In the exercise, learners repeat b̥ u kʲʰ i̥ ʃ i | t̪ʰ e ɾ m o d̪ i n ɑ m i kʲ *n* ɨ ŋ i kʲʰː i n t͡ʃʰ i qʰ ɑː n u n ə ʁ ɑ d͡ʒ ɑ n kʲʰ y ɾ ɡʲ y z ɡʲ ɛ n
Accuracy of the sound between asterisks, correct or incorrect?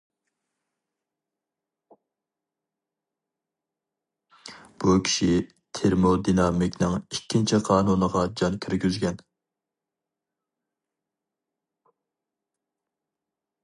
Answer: correct